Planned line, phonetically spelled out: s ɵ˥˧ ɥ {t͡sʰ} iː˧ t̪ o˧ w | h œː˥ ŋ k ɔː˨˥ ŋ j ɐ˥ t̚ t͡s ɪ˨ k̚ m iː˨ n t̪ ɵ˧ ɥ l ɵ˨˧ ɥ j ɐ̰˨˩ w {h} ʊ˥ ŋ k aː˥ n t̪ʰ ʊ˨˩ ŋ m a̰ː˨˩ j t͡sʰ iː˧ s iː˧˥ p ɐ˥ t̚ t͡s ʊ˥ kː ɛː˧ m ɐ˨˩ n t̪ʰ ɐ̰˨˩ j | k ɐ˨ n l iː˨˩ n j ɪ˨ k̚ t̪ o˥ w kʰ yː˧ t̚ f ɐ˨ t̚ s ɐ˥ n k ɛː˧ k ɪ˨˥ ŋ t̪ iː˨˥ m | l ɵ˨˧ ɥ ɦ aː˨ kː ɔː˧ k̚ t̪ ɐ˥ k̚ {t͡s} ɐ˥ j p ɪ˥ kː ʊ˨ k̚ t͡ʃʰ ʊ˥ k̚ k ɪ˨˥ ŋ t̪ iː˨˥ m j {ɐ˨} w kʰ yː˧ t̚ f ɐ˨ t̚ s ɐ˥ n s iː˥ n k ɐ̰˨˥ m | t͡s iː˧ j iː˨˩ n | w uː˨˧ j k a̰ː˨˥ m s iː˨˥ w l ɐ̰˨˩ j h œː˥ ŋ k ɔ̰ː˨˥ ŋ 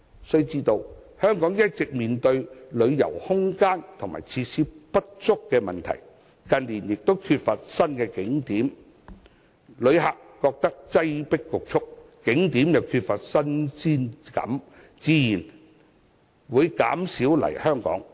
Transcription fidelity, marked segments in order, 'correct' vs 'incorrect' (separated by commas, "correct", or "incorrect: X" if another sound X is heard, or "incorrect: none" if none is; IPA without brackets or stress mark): incorrect: t͡s, correct, correct, correct